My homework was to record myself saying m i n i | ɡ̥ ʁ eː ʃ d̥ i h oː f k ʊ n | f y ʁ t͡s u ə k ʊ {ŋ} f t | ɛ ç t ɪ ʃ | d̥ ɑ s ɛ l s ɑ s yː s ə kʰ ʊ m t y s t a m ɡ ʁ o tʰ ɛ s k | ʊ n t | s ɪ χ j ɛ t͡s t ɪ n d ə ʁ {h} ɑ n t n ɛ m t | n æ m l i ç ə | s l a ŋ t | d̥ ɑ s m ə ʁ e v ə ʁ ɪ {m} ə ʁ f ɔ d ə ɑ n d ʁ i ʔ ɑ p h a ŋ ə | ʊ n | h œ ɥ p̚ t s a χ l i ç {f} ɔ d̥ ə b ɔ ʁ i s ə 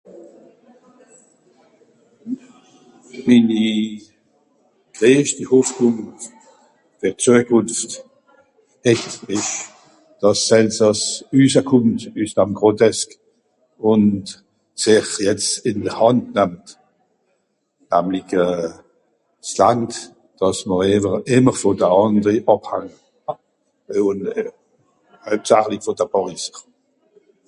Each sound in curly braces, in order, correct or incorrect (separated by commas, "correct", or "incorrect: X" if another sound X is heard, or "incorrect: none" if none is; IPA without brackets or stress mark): incorrect: n, correct, correct, correct